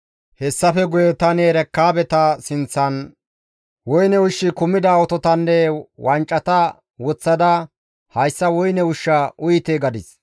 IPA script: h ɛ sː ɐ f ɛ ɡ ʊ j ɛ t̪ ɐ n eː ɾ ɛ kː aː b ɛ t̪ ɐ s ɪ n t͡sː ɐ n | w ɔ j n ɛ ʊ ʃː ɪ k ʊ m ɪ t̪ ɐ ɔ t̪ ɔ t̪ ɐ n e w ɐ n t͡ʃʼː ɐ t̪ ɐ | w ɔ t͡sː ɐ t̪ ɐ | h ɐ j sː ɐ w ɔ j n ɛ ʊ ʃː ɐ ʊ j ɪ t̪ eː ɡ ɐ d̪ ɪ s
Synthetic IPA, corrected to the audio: h ɛ sː ɐ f ɛ ɡ ʊ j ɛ t̪ ɐ n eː ɾ ɛ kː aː b ɛ t̪ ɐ s ɪ n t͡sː ɐ n | w ɔ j n ɛ ʊ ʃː ɪ k ʊ m ɪ d̪ ɐ ɔ t̪ ɔ t̪ ɐ nː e w ɐ n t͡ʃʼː ɐ t̪ ɐ | w ɔ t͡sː ɐ d̪ ɐ | h ɐ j sː ɐ w ɔ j n ɛ ʊ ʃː ɐ ʊ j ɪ t̪ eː ɡ ɐ d̪ ɪ s